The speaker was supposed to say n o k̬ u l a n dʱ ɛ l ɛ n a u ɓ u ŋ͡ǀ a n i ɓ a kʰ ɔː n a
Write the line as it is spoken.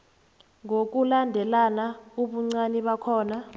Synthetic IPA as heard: ŋ o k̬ u l a n dʱ ɛ l a n a u ɓ u ŋ͡ǀ a n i ɓ a kʰ ɔː n a